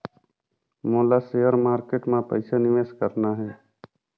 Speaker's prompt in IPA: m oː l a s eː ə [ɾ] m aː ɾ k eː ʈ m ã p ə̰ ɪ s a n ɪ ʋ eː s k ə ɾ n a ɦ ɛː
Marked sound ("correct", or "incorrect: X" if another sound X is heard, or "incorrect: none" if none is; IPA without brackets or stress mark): correct